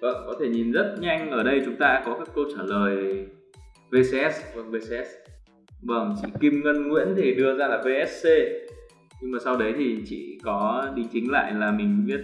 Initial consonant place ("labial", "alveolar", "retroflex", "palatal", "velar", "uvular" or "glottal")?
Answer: labial